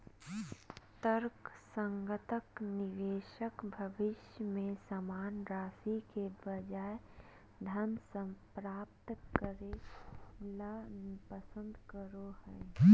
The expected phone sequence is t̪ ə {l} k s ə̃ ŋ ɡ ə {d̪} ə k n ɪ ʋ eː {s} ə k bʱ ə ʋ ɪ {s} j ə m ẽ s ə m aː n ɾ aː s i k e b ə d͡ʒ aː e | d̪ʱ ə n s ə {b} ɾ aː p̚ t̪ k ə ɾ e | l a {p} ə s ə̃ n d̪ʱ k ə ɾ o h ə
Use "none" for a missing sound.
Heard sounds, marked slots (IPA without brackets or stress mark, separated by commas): ɾ, t̪, ʃ, ʃ, p, p